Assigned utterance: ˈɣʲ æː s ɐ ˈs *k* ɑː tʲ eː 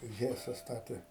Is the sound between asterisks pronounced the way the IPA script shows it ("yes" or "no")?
no